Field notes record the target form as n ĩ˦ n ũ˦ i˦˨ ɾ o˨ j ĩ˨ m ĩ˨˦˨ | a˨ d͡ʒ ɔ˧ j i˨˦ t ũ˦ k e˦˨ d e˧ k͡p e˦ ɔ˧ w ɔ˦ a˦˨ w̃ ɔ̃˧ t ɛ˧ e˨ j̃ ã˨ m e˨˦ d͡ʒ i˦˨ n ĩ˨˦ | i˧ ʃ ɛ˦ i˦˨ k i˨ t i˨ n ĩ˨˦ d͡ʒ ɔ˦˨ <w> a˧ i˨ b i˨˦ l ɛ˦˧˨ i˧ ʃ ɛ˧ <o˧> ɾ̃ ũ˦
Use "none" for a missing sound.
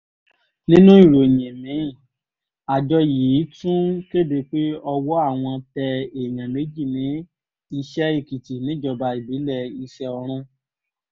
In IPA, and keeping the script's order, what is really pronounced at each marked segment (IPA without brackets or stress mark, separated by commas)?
b, ɔ˧